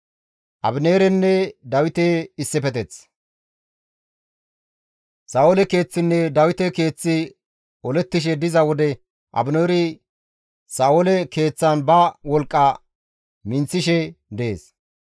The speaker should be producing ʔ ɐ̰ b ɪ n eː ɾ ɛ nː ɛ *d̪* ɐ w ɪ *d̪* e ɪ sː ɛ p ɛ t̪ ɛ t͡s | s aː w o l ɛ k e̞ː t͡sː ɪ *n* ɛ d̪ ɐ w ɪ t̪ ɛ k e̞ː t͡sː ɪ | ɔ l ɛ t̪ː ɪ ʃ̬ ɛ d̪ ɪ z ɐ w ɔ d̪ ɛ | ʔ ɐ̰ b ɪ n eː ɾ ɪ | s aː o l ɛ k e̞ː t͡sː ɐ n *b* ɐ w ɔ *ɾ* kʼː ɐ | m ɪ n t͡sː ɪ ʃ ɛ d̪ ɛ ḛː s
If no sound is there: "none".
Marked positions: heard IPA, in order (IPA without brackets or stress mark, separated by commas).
d̪, t̪, nː, b, l